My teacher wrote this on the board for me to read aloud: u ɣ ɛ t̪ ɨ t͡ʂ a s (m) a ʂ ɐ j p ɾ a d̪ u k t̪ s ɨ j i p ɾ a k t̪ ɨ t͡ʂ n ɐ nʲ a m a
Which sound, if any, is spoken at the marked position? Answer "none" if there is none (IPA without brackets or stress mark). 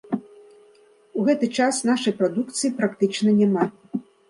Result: n